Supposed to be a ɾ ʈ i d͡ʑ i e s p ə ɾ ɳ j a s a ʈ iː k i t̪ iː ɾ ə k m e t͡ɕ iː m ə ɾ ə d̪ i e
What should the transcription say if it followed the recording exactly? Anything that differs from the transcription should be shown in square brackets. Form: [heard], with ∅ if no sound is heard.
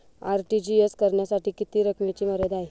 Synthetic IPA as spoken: a ɾ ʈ i d͡ʑ i e s [k] ə ɾ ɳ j a s a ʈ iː k i t̪ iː ɾ ə k m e t͡ɕ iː m ə ɾ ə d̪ [a] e